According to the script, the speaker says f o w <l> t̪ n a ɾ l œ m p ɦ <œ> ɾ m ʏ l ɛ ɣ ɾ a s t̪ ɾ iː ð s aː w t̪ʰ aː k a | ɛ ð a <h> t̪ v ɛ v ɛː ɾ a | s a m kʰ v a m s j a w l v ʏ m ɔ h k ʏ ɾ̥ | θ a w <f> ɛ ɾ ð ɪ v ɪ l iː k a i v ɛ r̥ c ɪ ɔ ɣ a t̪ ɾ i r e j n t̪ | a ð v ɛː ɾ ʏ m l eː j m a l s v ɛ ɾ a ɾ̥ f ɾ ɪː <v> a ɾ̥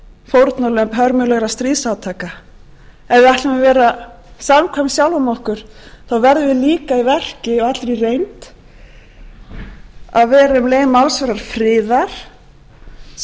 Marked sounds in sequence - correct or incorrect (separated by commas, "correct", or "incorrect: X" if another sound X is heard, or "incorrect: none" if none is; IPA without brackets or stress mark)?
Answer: incorrect: ɾ, correct, correct, incorrect: v, incorrect: ð